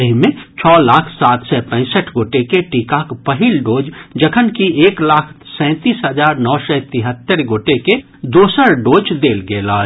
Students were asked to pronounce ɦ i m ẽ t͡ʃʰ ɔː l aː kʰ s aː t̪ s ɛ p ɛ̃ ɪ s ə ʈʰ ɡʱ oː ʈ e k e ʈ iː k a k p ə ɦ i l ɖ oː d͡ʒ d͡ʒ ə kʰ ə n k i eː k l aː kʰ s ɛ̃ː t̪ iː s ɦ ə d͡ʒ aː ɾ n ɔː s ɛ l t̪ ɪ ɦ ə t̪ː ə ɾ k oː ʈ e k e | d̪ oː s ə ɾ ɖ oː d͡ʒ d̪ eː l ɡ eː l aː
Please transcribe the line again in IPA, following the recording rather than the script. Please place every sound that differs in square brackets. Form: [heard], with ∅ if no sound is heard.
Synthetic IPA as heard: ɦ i m ẽ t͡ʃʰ ɔː l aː kʰ s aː t̪ s ɛ p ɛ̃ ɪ s ə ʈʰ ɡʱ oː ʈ e k e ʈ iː k a k p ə ɦ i l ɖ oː d͡ʒ d͡ʒ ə kʰ ə n k i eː k l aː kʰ s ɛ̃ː t̪ iː s ɦ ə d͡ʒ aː ɾ n ɔː s ɛ [∅] t̪ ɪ ɦ ə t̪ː ə ɾ [ɡ] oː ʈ e k e | d̪ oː s ə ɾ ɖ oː d͡ʒ d̪ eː l ɡ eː l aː